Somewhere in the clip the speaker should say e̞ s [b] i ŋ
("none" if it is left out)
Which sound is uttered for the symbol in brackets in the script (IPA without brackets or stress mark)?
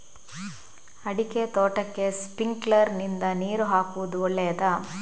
p